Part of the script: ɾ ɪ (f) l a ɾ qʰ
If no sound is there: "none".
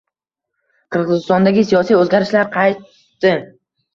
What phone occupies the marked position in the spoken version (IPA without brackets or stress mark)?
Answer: ʃ